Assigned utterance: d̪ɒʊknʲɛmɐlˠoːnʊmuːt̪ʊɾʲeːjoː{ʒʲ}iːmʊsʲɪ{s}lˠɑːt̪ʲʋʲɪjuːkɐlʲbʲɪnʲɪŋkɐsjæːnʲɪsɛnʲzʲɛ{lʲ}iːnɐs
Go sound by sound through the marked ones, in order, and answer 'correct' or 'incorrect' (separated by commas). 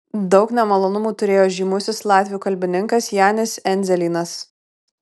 correct, correct, correct